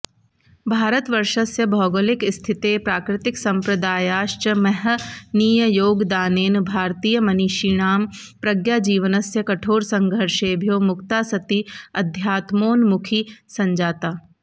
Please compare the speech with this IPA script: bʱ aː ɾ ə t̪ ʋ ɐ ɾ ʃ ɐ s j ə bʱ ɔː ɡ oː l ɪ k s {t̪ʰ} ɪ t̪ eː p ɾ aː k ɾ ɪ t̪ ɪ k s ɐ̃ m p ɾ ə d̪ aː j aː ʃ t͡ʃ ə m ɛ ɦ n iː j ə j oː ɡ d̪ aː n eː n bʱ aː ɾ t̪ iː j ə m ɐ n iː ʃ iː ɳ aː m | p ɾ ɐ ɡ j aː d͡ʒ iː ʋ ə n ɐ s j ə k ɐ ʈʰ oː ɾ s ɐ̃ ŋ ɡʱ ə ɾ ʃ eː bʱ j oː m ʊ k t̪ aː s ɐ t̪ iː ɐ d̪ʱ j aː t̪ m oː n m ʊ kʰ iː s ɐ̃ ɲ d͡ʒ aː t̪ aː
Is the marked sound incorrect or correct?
correct